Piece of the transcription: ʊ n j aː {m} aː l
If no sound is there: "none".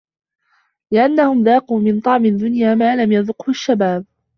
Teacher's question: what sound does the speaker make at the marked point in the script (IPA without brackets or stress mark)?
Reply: m